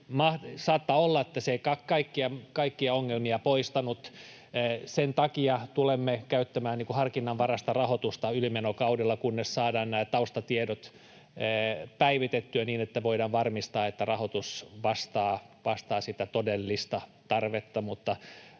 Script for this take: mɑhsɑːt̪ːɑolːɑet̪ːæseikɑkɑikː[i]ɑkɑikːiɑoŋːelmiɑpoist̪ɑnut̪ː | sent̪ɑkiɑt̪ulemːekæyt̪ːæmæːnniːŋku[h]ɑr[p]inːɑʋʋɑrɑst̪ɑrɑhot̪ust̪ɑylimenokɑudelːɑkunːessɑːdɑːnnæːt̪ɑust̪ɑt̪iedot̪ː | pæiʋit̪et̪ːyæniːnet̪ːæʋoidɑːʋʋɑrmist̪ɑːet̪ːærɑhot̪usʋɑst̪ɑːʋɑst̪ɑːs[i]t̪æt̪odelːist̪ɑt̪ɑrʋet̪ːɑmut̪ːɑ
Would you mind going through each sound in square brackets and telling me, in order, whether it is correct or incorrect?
correct, correct, incorrect, correct

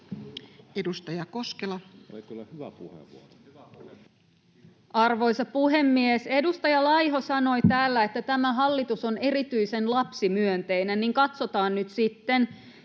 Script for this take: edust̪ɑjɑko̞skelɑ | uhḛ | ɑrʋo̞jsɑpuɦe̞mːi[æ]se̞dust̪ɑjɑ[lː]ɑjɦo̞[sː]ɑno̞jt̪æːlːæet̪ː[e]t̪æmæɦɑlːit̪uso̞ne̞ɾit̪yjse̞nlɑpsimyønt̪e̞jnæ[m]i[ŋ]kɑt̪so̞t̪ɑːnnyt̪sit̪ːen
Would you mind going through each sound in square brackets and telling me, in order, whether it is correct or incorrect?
incorrect, incorrect, incorrect, incorrect, incorrect, correct

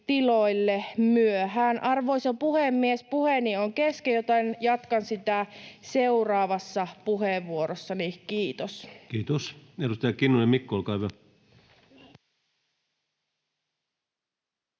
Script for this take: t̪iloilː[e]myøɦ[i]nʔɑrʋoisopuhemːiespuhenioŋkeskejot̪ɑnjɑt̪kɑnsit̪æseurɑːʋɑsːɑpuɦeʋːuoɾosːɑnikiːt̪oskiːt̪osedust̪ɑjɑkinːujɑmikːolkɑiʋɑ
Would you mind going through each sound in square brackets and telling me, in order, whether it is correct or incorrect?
correct, incorrect

